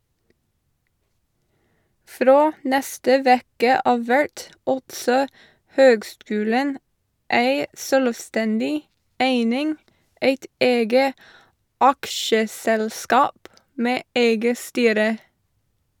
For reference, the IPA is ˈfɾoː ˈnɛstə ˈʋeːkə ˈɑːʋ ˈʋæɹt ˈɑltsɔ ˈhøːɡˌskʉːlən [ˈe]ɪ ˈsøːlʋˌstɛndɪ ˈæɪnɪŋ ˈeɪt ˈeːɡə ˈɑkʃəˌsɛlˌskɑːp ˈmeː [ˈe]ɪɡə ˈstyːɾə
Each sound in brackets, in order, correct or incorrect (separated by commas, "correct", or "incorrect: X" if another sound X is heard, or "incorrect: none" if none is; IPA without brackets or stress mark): incorrect: æ, correct